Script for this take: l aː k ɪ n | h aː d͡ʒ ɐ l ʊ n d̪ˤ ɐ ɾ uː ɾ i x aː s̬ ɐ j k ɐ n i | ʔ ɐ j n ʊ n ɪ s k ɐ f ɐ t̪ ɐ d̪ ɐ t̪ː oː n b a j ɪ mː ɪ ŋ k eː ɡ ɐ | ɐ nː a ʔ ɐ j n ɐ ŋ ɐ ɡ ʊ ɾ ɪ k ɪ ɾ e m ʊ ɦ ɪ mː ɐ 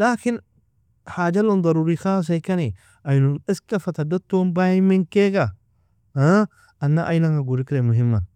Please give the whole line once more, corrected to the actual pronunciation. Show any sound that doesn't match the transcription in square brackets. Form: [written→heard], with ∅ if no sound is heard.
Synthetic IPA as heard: l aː k ɪ n | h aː d͡ʒ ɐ l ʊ n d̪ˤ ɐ ɾ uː ɾ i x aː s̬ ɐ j k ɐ n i | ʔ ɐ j n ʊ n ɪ s k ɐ f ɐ t̪ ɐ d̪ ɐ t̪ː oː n b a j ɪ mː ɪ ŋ k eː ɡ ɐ | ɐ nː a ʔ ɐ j n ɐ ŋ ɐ ɡ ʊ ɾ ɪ k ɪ ɾ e m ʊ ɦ ɪ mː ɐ